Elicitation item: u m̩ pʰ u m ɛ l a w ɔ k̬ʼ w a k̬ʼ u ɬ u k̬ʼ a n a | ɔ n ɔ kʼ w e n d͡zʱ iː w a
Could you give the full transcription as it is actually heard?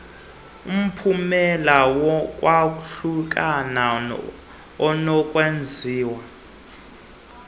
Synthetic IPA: u m̩ pʰ u m ɛ l a w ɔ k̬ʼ w a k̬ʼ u ɬ u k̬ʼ a n a | ɔ n ɔ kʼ w e n d͡zʱ iː w a